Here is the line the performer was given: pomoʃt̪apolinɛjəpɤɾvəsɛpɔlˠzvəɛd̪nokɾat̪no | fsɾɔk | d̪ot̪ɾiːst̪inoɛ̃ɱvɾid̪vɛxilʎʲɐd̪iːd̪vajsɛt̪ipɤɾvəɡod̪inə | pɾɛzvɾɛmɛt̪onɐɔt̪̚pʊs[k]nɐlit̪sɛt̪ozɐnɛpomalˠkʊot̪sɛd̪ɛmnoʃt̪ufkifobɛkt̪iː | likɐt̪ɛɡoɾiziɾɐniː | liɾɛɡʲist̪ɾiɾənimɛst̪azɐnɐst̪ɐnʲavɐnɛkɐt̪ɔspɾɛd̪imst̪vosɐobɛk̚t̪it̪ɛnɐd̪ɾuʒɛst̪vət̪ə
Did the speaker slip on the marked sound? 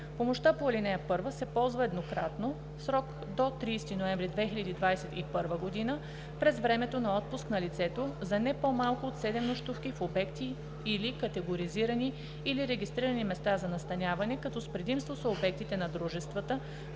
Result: no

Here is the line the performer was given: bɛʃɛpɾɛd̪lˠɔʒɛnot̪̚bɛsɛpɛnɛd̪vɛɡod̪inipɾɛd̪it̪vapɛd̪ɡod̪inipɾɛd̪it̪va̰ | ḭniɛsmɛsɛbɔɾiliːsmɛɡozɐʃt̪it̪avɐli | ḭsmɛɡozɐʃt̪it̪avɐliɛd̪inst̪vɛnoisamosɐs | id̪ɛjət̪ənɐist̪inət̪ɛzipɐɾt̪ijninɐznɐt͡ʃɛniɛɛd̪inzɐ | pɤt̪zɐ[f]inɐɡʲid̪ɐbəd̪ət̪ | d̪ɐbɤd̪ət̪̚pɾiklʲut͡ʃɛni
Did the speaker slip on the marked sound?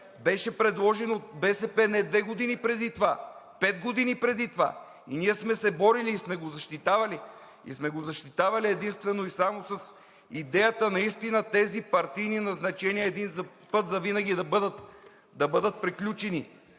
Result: yes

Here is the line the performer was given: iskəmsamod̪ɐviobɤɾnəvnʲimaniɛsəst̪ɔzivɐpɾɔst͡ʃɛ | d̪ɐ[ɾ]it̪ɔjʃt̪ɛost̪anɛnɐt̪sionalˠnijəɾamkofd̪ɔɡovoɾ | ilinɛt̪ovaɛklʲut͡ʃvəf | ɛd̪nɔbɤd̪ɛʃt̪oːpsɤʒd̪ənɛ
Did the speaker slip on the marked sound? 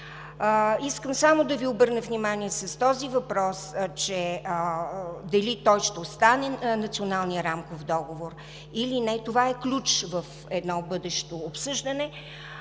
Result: yes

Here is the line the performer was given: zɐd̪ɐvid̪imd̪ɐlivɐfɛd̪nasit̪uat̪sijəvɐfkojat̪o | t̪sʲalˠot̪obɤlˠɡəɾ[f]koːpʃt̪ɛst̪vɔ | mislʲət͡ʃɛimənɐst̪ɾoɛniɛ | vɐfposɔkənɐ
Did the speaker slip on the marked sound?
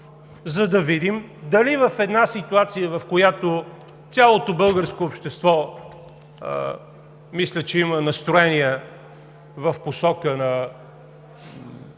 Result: yes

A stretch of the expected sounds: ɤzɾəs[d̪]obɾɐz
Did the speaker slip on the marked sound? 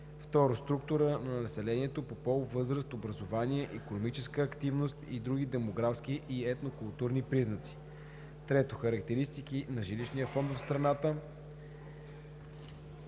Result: yes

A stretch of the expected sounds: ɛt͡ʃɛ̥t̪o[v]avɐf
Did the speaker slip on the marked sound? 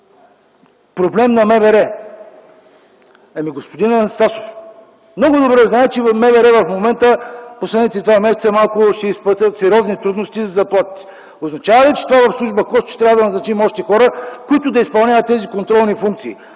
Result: no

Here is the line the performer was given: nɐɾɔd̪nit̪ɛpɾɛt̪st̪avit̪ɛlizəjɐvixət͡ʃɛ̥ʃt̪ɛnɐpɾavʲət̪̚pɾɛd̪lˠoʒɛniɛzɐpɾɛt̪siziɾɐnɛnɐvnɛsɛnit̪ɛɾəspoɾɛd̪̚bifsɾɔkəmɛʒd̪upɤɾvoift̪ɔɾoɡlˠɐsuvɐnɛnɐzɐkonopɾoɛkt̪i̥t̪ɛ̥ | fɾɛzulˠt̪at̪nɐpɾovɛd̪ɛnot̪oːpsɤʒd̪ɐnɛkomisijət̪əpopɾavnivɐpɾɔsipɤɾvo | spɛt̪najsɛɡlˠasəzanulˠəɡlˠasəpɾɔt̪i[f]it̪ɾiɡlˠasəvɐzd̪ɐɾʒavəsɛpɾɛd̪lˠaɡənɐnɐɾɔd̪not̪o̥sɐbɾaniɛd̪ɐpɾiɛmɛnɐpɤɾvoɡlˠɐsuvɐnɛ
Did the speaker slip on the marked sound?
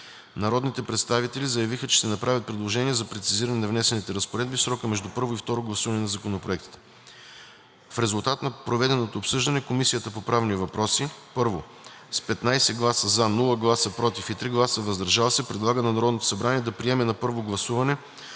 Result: no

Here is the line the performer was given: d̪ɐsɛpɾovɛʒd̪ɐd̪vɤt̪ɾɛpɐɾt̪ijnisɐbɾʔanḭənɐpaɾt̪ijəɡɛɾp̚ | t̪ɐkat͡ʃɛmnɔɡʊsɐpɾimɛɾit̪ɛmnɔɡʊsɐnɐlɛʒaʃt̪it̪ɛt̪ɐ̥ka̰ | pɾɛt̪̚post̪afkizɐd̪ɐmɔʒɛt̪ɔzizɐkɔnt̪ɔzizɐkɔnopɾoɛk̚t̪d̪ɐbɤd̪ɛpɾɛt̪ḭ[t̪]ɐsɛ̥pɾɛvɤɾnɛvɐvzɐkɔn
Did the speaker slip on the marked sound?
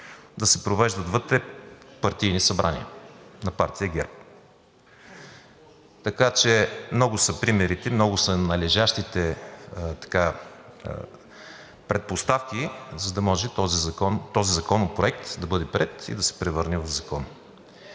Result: yes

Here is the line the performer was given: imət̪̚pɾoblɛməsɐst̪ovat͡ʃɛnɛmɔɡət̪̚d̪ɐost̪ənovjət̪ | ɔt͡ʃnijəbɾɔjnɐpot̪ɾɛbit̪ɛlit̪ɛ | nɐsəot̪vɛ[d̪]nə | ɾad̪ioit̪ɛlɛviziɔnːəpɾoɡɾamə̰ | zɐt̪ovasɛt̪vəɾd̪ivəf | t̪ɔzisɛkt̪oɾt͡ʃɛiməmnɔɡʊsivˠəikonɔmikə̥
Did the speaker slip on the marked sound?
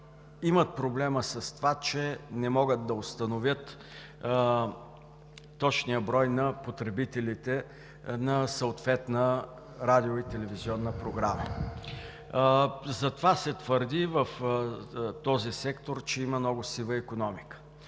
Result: yes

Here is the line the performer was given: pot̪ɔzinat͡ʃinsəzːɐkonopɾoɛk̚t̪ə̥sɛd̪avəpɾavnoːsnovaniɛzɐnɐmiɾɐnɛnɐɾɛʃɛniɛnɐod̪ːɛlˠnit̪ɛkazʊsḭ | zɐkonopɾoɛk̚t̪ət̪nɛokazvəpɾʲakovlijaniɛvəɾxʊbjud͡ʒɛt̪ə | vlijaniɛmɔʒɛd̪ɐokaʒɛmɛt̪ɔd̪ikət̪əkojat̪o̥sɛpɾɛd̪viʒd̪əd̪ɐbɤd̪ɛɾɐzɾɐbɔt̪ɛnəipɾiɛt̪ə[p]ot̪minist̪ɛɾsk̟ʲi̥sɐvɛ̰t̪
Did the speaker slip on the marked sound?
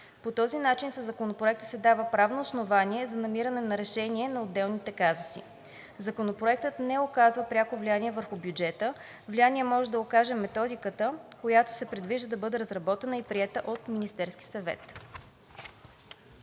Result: yes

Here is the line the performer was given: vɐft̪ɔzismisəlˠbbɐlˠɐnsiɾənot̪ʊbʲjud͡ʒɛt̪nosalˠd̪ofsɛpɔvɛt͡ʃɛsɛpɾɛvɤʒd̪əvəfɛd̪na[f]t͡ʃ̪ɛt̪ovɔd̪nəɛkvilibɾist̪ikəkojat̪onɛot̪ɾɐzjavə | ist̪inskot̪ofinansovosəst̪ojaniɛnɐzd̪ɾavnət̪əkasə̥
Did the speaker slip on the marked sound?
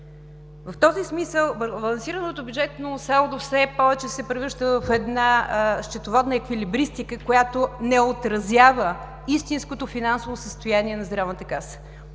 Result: yes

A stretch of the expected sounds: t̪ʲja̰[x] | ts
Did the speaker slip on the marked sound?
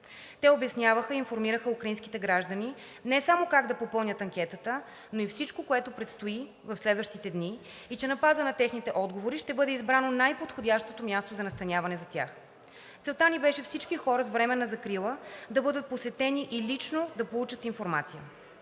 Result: no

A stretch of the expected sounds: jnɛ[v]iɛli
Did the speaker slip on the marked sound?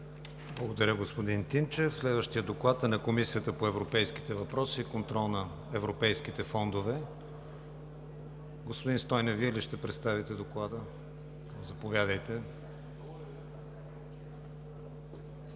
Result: no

